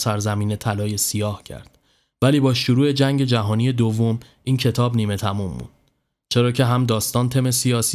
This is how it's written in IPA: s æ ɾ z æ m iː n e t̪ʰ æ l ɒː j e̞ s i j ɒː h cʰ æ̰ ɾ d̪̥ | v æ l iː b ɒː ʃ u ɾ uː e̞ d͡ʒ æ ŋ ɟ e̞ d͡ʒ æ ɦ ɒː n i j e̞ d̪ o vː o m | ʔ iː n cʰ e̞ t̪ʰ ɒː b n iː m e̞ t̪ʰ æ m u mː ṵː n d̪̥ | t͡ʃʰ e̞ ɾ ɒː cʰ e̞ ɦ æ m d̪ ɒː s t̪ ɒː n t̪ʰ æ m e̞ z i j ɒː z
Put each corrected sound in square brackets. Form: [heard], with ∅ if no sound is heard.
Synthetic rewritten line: s æ ɾ z æ m iː n e t̪ʰ æ l ɒː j e̞ s i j ɒː h cʰ æ̰ ɾ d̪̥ | v æ l iː b ɒː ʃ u ɾ uː e̞ d͡ʒ æ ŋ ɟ e̞ d͡ʒ æ ɦ ɒː n i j e̞ d̪ o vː o m | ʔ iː n cʰ e̞ t̪ʰ ɒː b n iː m e̞ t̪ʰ æ m u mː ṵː n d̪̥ | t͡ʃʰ e̞ ɾ ɒː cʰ e̞ ɦ æ m d̪ ɒː s t̪ ɒː n t̪ʰ [e] m e̞ [s] i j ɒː [s]